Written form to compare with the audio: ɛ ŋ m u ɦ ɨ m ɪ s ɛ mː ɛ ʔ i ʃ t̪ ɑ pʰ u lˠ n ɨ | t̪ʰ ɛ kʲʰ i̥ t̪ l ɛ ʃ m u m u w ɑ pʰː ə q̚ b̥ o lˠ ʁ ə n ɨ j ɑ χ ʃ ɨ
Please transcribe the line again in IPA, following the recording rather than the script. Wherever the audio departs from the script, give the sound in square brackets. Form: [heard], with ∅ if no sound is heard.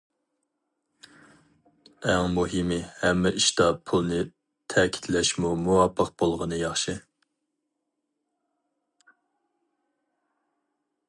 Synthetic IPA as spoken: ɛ ŋ m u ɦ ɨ m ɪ [h] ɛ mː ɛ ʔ i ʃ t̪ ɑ pʰ u lˠ n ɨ | t̪ʰ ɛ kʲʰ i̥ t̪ l ɛ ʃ m u m u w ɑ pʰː ə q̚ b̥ o lˠ ʁ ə n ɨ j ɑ χ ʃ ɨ

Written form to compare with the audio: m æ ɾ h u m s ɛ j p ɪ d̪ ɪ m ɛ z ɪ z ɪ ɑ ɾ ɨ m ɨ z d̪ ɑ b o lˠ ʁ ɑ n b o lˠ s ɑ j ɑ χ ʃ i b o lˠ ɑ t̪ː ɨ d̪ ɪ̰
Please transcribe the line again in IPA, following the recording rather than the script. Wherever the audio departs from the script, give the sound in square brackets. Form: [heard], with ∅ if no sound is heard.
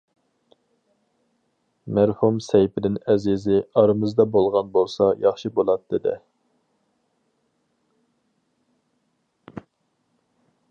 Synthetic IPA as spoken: m æ ɾ h u m s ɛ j p ɪ d̪ ɪ [n] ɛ z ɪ z ɪ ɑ ɾ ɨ m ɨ z d̪ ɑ b o lˠ ʁ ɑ n b o lˠ s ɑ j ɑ χ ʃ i b o lˠ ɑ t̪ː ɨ d̪ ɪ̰

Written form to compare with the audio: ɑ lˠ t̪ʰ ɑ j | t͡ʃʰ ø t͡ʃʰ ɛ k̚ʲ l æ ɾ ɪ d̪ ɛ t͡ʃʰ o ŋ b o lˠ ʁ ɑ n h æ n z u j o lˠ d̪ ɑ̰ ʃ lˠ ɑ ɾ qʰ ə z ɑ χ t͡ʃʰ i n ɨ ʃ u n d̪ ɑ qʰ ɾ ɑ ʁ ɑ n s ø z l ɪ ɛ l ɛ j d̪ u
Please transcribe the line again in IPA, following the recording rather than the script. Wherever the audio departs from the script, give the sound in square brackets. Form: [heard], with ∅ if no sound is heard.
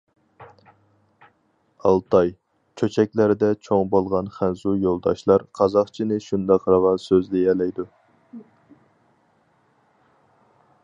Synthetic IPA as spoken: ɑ lˠ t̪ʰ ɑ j | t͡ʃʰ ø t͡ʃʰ ɛ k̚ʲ l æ ɾ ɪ d̪ ɛ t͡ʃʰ o ŋ b o lˠ ʁ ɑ n [χ] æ n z u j o lˠ d̪ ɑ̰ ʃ lˠ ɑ ɾ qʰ [ɑ] z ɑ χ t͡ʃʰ i n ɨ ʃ u n d̪ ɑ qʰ ɾ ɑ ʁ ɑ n s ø z l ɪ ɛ l ɛ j d̪ u

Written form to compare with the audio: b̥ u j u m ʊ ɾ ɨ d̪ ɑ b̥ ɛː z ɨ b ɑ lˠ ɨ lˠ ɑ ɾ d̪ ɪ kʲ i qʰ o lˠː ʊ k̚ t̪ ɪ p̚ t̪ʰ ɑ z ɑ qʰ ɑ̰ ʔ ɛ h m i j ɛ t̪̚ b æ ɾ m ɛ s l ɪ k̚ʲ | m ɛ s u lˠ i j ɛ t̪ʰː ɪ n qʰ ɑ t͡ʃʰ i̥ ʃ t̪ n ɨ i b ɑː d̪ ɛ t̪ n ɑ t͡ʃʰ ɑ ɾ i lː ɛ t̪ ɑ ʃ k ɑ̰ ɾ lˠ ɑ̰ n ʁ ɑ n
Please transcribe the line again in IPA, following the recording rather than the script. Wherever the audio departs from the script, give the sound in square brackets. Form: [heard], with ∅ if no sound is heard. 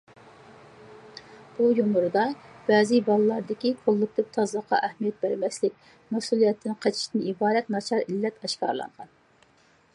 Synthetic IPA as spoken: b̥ u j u m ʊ ɾ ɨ d̪ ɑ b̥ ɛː z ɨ b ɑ lˠ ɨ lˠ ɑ ɾ d̪ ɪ kʲ i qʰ o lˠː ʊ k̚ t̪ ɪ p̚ t̪ʰ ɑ z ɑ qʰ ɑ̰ ʔ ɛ h m i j ɛ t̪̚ b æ ɾ m ɛ s l ɪ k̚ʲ | m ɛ s u lˠ i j ɛ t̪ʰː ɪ n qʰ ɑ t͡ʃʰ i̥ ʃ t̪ n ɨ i b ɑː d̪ ɛ t̪ n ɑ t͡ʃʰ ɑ ɾ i lː ɛ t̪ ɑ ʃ k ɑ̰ ɾ lˠ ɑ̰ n ʁ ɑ n

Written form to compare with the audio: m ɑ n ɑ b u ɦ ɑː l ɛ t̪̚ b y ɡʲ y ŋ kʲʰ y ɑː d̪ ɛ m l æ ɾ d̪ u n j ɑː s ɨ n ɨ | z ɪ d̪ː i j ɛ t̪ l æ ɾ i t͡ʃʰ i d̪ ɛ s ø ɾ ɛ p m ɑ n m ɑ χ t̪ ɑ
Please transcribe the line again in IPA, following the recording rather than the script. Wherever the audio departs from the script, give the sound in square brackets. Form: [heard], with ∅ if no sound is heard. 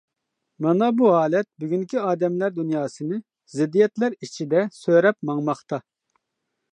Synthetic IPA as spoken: m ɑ n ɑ b u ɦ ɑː l ɛ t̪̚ b y ɡʲ y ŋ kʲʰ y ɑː d̪ ɛ m l æ ɾ d̪ u n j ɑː s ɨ n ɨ | z ɪ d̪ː i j ɛ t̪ l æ ɾ i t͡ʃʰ i d̪ ɛ s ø ɾ ɛ p m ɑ [ŋ] m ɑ χ t̪ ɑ

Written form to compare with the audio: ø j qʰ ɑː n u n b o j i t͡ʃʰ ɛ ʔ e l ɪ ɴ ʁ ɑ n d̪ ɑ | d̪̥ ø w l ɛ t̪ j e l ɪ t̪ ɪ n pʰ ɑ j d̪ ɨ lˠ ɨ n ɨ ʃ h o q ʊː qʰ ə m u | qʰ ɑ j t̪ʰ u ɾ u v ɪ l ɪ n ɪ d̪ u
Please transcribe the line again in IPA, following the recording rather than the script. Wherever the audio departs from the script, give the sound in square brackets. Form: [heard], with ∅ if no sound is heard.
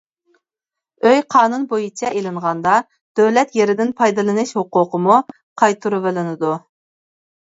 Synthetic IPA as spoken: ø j qʰ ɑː n u n b o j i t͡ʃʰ ɛ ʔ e l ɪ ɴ ʁ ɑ n d̪ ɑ | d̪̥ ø w l ɛ t̪ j e [ɾ] ɪ [d̪] ɪ n pʰ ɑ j d̪ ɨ lˠ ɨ n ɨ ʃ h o q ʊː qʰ ə m u | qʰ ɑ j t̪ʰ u ɾ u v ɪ l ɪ n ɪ d̪ u

